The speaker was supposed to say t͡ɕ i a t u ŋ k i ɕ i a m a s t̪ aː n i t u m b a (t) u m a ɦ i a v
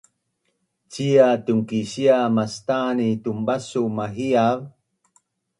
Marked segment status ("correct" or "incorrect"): incorrect